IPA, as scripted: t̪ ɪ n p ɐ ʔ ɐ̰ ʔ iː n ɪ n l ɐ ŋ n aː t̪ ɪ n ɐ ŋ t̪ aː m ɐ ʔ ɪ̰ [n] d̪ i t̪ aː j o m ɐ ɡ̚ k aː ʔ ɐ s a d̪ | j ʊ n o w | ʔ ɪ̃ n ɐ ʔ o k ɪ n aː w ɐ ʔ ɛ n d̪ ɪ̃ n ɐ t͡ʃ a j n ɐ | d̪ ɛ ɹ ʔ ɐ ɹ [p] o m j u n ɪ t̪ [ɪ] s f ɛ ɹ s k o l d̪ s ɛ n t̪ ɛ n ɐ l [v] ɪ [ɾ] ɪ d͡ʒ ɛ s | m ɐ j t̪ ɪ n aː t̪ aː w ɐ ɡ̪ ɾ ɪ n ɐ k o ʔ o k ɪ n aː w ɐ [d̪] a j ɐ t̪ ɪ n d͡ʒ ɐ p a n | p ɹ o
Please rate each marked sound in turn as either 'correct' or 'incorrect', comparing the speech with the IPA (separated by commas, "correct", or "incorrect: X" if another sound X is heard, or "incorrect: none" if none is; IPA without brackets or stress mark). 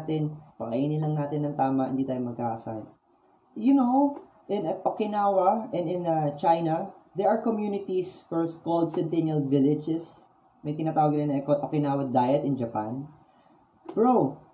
correct, incorrect: k, incorrect: i, correct, incorrect: l, correct